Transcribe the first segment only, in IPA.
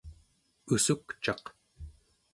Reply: u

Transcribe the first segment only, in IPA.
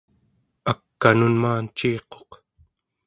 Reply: a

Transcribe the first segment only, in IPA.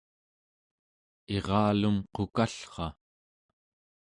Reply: e̞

